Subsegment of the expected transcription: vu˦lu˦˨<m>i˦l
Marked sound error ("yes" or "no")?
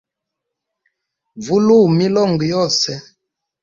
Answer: no